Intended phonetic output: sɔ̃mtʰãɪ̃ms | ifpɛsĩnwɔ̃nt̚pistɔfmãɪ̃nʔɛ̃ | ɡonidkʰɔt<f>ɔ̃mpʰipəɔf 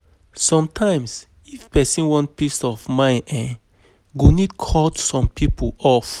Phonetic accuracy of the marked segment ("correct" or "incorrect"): incorrect